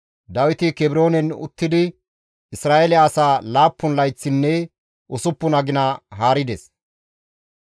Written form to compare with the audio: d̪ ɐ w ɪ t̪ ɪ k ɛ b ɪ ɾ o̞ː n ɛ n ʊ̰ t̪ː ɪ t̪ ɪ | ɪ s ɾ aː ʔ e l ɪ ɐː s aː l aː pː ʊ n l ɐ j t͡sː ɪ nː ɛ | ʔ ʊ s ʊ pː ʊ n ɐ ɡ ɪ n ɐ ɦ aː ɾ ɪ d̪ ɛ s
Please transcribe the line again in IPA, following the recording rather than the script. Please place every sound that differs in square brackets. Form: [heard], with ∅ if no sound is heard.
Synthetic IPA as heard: d̪ ɐ w ɪ t̪ ɪ k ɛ b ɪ ɾ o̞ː n ɛ n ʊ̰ t̪ː ɪ [d̪] ɪ | ɪ s ɾ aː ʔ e l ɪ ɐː s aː l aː pː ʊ n l ɐ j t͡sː ɪ nː ɛ | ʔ ʊ s ʊ pː ʊ n ɐ ɡ ɪ n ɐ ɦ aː ɾ ɪ d̪ ɛ s